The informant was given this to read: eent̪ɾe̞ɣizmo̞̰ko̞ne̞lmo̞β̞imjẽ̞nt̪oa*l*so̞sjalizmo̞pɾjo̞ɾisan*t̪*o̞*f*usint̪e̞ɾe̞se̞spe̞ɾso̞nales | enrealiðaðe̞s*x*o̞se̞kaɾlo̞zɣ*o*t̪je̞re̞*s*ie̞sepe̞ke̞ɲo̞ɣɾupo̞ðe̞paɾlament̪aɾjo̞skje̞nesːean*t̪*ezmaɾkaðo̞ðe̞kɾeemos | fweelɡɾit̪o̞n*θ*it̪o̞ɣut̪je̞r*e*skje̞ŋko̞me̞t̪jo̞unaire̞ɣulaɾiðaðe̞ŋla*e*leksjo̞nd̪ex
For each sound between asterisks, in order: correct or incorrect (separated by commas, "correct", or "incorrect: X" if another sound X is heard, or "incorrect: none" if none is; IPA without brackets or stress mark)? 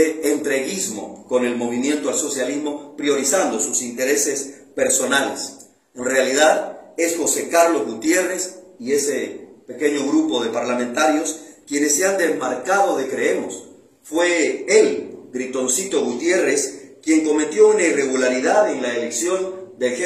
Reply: correct, incorrect: d̪, incorrect: s, correct, incorrect: u, correct, incorrect: d̪, incorrect: s, correct, correct